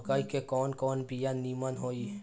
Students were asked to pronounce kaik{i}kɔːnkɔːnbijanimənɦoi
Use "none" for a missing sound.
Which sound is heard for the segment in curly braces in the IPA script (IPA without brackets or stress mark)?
e